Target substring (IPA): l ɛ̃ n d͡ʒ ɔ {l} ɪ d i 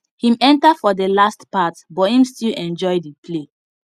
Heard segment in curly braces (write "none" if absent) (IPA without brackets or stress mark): none